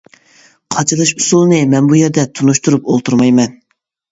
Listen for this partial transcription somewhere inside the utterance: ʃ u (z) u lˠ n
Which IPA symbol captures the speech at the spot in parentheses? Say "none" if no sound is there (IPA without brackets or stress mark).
s